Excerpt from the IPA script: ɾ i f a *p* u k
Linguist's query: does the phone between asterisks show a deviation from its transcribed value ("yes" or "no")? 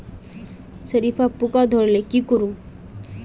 no